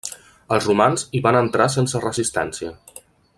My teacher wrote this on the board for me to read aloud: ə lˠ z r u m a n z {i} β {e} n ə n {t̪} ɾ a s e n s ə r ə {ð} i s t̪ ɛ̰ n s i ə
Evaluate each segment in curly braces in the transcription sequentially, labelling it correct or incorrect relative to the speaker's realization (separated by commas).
correct, incorrect, correct, incorrect